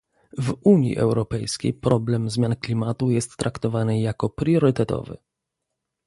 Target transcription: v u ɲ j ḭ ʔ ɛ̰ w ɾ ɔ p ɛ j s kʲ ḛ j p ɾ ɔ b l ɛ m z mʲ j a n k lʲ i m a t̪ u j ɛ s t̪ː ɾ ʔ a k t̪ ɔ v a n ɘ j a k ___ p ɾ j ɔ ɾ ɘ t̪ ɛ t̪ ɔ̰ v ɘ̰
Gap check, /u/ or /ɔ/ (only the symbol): ɔ